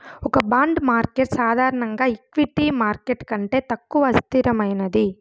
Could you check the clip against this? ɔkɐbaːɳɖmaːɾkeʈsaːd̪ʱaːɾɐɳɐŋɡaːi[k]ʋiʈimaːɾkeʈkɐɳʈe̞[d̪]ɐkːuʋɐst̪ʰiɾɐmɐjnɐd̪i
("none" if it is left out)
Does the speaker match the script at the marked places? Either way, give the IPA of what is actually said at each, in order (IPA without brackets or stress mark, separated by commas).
k, t̪